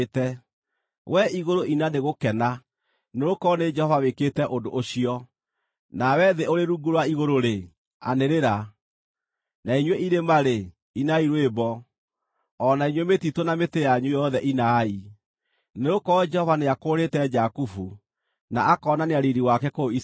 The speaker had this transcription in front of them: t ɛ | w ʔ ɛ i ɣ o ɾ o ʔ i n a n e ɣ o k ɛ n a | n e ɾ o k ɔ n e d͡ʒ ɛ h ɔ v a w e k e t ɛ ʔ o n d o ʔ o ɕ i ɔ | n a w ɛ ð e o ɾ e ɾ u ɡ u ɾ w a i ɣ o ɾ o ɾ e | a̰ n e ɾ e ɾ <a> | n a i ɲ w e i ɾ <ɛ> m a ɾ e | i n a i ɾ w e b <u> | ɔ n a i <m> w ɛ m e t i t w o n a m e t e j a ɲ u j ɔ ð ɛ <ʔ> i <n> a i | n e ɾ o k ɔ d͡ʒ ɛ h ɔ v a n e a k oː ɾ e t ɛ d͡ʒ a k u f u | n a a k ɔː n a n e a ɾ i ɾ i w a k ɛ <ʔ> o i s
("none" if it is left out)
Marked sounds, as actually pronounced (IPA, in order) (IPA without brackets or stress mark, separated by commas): a, e, ɔ, ɲ, ʔ, n, k